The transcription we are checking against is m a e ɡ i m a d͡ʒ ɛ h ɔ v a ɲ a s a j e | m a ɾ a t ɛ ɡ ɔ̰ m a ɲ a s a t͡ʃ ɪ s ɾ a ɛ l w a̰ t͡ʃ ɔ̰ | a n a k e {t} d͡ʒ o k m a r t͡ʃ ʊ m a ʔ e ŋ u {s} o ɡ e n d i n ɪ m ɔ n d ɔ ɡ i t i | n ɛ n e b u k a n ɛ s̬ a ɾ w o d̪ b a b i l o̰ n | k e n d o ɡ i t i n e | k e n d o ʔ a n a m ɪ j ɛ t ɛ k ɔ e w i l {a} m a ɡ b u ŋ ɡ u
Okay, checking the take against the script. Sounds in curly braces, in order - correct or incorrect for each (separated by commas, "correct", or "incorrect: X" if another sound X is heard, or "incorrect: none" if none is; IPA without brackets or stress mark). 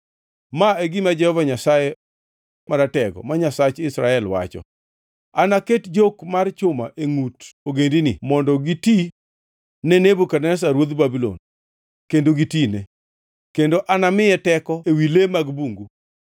correct, incorrect: t, incorrect: e